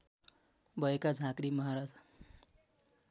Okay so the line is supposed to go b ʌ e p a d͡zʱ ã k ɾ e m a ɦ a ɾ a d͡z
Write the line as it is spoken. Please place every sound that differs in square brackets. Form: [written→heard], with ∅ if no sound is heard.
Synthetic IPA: b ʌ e [p→k] a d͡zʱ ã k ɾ [e→i] m [a→ʌ] ɦ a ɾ a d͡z